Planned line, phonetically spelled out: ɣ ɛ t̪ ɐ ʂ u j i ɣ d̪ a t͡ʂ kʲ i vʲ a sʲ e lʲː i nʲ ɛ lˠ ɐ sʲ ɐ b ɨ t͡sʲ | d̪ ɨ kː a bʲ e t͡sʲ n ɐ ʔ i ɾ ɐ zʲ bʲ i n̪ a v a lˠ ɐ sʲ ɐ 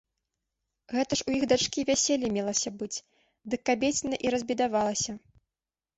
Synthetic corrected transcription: ɣ ɛ t̪ ɐ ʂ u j i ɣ d̪ a t͡ʂ kʲ i vʲ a sʲ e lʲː i mʲ ɛ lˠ ɐ sʲ ɐ b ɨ t͡sʲ | d̪ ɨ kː a bʲ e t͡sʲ n ɐ ʔ i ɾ ɐ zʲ bʲ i d̪ a v a lˠ ɐ sʲ ɐ